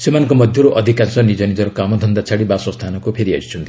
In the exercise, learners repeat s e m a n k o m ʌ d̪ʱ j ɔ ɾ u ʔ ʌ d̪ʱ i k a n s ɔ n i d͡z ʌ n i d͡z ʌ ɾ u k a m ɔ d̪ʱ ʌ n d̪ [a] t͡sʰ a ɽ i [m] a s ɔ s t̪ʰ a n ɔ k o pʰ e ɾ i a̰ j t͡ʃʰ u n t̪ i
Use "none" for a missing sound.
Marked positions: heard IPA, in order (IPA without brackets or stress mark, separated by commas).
a, b